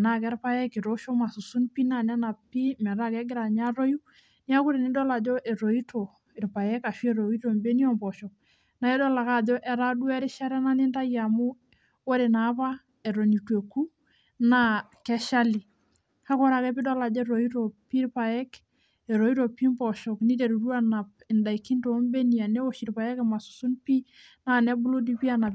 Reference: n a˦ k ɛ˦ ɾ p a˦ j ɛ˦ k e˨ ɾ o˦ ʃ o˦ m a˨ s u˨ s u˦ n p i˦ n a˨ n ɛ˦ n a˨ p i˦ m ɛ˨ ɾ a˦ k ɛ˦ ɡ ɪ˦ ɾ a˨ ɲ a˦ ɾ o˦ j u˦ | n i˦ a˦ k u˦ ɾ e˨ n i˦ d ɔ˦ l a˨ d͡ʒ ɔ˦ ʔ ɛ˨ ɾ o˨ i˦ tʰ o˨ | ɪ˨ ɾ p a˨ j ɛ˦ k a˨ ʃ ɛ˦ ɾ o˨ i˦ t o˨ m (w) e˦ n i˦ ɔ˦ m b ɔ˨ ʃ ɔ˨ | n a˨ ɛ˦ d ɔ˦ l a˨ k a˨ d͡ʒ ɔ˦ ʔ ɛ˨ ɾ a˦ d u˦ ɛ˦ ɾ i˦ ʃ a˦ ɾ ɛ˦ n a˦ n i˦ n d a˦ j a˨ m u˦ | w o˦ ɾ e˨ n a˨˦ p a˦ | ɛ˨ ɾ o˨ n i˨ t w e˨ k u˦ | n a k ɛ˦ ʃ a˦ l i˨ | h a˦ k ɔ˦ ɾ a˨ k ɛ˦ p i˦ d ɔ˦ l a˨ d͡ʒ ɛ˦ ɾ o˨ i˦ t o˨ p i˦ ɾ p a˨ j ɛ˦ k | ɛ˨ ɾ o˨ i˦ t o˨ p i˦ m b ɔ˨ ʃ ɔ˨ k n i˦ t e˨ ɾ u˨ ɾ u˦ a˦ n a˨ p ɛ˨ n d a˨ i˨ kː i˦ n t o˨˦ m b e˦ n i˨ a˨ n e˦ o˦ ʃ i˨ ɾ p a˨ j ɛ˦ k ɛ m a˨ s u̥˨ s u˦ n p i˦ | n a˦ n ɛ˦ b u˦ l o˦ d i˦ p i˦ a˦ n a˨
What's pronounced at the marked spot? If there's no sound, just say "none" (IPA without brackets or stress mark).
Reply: b